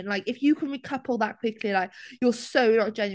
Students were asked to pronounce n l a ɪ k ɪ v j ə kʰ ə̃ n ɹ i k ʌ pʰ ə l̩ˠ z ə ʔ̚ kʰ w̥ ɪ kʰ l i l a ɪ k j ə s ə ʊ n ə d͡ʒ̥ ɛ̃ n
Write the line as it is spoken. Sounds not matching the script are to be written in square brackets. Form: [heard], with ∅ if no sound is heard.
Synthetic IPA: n l a ɪ k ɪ [f] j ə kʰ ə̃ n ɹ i [kʰ] ʌ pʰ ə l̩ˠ [ð] ə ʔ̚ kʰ w̥ ɪ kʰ l i l a ɪ k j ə s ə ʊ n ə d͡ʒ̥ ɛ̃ n